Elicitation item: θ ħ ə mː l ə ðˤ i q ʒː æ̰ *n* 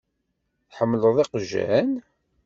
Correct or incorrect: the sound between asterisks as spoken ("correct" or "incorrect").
correct